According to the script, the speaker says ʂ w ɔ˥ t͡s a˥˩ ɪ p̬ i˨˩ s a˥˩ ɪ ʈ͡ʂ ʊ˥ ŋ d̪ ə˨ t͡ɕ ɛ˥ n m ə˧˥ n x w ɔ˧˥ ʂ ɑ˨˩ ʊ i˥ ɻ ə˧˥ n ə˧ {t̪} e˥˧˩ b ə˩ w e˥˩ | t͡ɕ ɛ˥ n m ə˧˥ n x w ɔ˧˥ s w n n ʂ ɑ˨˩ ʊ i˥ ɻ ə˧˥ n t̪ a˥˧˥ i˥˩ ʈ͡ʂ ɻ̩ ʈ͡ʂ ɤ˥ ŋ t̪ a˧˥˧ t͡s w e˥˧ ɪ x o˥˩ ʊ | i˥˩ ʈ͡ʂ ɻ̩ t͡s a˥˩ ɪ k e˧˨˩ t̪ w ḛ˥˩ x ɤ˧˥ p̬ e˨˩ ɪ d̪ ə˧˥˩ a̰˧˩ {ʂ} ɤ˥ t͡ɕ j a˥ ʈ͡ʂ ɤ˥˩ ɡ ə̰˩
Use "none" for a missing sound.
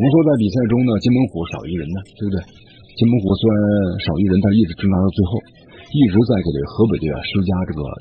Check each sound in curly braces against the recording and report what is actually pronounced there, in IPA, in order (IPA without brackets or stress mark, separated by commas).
t̪, ʂ